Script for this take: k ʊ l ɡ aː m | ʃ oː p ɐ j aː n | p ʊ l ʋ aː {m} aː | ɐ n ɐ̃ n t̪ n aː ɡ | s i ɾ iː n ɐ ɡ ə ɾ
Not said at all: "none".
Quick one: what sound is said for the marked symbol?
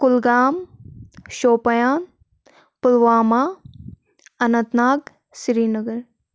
m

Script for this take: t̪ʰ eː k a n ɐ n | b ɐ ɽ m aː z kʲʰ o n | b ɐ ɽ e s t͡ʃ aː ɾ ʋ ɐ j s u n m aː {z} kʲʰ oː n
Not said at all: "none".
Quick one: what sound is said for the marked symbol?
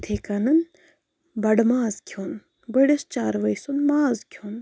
z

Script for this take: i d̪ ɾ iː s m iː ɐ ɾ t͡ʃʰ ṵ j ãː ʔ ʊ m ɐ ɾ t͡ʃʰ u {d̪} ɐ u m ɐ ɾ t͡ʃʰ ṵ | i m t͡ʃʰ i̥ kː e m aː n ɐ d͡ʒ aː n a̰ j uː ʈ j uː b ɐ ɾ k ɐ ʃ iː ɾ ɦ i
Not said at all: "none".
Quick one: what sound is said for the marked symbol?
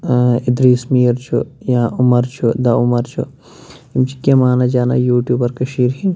d̪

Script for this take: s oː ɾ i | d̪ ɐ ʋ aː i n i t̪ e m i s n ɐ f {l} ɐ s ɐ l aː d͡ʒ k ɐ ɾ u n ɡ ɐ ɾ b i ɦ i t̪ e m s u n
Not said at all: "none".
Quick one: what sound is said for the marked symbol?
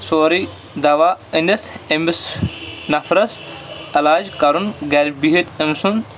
ɾ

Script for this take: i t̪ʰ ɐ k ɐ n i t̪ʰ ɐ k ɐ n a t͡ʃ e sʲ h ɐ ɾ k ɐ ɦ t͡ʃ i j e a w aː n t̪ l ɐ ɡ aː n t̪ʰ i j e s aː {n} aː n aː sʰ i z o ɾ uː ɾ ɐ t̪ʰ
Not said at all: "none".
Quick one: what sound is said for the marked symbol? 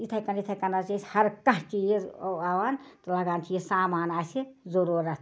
m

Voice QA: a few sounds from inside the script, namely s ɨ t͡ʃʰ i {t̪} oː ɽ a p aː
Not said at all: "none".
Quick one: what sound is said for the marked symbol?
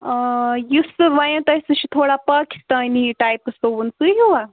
t̪ʰ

